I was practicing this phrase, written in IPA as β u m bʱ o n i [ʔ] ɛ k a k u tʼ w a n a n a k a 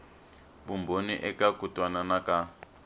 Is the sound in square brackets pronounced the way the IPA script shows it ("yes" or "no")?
yes